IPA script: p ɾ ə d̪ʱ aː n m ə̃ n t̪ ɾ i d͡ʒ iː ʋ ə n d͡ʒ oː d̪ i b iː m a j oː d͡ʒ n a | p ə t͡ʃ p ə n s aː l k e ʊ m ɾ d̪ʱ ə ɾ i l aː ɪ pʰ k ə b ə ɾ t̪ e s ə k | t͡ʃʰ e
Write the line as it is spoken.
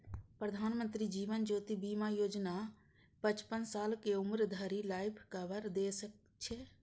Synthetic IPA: p ɾ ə d̪ʱ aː n m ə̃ n t̪ ɾ i d͡ʒ iː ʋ ə n d͡ʒ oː t̪ i b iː m a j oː d͡ʒ n a | p ə t͡ʃ p ə n s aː l k e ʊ m ɾ d̪ʱ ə ɾ i l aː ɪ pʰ k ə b ə ɾ d̪ e s ə k | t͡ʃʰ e

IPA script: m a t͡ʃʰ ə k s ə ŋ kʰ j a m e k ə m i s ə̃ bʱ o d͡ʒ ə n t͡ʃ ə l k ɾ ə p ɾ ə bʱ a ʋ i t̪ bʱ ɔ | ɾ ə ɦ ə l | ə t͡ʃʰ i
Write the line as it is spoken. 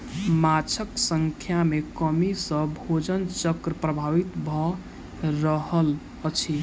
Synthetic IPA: m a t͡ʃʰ ə k s ə ŋ kʰ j a m e k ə m i s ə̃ bʱ o d͡ʒ ə n t͡ʃ ə k ɾ ə p ɾ ə bʱ a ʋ i t̪ bʱ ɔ | ɾ ə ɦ ə l | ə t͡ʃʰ i

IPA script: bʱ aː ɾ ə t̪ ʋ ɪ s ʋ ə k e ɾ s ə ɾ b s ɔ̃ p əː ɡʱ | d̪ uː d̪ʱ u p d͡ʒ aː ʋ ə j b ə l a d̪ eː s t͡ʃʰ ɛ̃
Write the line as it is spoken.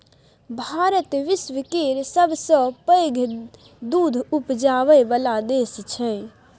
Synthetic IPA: bʱ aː ɾ ə t̪ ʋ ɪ s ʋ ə k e ɾ s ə b s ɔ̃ p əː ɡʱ | d̪ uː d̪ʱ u p d͡ʒ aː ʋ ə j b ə l a d̪ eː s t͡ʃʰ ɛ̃

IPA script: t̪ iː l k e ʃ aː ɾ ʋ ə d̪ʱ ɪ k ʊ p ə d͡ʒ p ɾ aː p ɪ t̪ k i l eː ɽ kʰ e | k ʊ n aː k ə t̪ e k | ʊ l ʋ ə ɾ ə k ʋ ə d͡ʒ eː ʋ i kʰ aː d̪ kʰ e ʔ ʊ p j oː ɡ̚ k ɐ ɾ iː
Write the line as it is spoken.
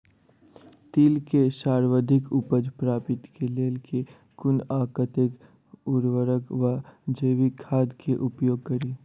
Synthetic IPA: t̪ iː l k e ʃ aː ɾ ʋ ə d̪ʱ ɪ k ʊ p ə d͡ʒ p ɾ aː p ɪ t̪ k e l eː l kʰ e | k ʊ n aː k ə t̪ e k | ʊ ɾ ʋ ə ɾ ə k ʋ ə d͡ʒ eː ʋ i kʰ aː d̪ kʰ e ʔ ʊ p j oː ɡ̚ k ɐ ɾ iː

